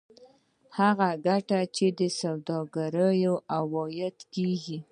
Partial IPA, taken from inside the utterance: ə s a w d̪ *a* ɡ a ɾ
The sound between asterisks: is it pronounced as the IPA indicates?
no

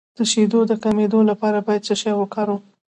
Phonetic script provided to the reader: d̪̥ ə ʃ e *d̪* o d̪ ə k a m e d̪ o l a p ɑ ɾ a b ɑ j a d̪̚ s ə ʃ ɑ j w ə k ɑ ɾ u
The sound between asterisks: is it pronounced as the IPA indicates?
yes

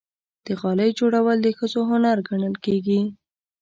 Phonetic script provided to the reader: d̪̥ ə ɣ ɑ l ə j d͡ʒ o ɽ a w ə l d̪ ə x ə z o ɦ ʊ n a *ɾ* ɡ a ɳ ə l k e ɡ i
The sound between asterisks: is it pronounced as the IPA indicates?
yes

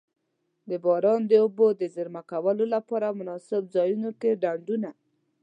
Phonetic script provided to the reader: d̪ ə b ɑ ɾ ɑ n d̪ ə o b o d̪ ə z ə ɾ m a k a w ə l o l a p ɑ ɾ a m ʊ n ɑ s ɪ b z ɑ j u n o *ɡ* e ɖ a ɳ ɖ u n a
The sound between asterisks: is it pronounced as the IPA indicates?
no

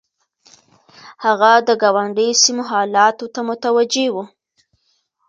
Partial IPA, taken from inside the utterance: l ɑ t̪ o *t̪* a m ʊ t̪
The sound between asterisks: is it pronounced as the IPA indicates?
yes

